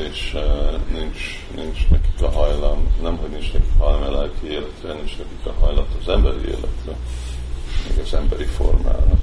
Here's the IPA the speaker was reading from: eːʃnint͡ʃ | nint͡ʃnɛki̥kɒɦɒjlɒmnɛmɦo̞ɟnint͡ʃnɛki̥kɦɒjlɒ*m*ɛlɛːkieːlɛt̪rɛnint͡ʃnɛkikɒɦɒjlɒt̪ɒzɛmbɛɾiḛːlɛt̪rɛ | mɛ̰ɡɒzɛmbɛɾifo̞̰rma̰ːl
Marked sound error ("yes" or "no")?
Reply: no